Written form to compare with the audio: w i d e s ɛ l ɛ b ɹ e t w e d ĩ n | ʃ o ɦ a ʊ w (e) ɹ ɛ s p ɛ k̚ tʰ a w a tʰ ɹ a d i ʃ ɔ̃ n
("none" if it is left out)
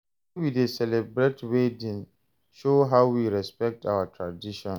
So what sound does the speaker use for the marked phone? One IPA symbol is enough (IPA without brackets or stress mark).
i